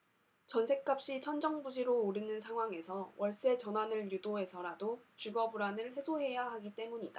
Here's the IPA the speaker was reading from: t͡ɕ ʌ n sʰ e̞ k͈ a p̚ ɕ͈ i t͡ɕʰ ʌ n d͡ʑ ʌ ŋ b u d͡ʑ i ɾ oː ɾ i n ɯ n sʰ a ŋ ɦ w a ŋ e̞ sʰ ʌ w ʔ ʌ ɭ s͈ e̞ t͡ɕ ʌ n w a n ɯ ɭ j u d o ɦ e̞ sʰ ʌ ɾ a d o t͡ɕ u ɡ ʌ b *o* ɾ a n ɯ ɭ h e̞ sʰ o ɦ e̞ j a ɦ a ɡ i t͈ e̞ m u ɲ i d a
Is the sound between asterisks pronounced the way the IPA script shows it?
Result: no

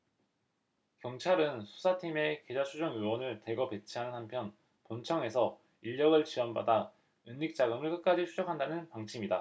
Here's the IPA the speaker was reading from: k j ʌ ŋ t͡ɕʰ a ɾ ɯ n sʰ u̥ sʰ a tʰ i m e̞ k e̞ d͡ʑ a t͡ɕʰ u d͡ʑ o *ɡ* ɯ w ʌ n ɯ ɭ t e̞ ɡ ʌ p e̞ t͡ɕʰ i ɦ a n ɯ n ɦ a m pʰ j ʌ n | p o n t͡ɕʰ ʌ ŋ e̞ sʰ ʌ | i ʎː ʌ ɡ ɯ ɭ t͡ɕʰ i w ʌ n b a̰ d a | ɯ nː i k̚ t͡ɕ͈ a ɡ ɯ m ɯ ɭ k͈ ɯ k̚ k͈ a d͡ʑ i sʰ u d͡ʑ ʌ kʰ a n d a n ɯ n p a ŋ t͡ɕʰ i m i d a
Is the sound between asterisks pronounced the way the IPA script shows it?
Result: no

